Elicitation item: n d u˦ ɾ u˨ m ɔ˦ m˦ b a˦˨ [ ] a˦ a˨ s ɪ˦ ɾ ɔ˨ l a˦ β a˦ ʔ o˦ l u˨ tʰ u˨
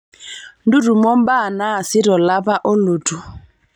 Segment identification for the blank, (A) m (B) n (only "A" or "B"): B